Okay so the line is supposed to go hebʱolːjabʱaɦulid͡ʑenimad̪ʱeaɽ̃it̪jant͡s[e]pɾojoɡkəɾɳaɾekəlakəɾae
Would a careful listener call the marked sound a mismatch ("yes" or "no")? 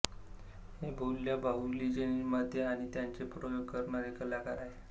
no